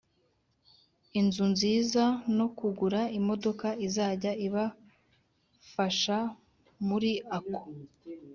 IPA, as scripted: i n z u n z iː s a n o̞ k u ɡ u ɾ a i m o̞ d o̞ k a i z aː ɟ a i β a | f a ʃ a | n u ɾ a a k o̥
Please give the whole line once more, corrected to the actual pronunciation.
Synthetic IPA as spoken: i n z u n z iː z a n o̞ k u ɡ u ɾ a i m o̞ d o̞ k a i z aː ɟ a i β a | f a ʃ a | m u ɾ i a k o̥